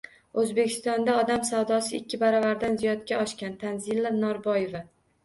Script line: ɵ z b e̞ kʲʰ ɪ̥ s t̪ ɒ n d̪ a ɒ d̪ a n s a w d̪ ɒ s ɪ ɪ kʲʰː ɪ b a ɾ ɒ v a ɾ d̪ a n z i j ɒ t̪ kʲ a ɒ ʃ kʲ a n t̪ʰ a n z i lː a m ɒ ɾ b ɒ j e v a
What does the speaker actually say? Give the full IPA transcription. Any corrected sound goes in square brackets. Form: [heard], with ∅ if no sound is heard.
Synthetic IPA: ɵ z b e̞ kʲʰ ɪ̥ s t̪ ɒ n d̪ a ɒ d̪ a [m] s a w d̪ ɒ s ɪ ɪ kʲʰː ɪ b a ɾ ɒ v a ɾ d̪ a n z i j ɒ t̪ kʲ a ɒ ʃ kʲ a n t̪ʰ a n z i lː a [n] ɒ ɾ b ɒ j e v a